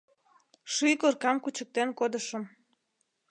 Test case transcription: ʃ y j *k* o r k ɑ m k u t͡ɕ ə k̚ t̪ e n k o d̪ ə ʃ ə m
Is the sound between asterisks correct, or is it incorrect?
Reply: correct